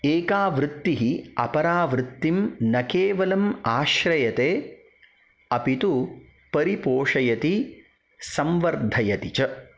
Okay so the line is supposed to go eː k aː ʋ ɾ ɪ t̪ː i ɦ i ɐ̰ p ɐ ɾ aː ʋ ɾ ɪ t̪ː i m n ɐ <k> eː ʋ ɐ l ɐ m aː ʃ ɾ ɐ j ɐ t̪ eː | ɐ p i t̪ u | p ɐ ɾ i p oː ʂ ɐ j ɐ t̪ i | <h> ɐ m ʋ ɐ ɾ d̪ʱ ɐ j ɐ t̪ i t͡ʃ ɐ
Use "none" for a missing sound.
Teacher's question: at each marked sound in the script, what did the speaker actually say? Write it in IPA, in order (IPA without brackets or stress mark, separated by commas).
k, s